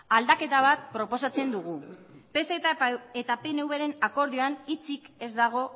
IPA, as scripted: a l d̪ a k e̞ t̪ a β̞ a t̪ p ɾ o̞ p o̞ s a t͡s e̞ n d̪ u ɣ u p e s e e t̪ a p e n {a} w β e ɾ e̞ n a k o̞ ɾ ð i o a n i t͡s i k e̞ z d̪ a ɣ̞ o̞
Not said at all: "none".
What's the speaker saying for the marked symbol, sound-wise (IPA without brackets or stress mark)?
e